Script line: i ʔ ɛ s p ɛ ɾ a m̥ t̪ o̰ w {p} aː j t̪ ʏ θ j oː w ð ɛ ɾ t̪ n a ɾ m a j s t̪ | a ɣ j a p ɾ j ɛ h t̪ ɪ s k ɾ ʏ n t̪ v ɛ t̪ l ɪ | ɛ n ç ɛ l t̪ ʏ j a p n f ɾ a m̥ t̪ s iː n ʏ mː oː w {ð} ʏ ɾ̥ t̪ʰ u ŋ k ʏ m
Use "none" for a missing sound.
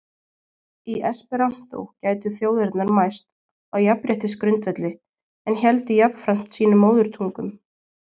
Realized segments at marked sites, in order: c, ð

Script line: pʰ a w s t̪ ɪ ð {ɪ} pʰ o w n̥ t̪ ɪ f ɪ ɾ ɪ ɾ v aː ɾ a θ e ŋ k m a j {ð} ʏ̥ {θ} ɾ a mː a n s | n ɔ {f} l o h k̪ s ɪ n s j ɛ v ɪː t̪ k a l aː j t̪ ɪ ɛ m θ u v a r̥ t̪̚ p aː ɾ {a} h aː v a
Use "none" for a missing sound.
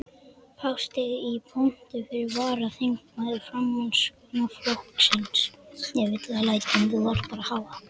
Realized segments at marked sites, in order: i, ð, f, f, a

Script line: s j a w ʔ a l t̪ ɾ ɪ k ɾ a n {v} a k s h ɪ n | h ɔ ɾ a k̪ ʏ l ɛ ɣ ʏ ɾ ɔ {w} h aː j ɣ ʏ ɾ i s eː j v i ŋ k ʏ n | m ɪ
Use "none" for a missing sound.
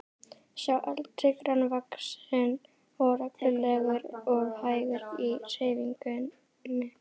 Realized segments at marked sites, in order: v, ɣ

